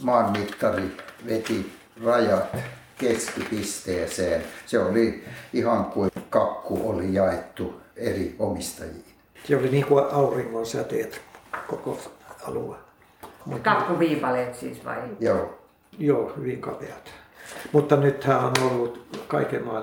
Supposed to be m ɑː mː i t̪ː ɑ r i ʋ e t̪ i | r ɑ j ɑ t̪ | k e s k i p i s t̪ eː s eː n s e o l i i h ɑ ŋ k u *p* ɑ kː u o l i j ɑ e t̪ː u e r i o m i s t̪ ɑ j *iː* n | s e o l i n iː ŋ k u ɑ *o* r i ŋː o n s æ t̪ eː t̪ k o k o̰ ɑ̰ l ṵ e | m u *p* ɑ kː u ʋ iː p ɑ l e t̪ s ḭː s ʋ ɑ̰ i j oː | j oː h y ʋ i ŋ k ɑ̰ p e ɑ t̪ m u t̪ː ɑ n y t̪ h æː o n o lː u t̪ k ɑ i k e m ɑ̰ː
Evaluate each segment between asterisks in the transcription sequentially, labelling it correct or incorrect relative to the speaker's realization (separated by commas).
incorrect, correct, incorrect, incorrect